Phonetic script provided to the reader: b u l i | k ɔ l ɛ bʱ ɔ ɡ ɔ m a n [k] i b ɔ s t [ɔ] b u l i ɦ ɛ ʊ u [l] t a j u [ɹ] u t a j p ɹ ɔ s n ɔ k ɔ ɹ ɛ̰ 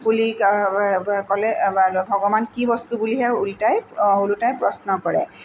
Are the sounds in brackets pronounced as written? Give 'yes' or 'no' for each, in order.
yes, no, yes, no

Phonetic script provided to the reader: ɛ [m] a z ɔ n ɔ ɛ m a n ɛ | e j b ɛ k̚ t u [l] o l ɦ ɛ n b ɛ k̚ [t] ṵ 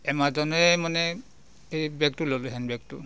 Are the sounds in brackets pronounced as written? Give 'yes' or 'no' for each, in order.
yes, yes, yes

